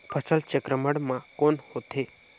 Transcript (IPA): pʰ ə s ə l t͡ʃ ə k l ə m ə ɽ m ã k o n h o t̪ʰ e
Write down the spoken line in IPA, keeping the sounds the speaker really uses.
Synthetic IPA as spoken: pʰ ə s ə l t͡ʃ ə k ɾ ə m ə ɽ m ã k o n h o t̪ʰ e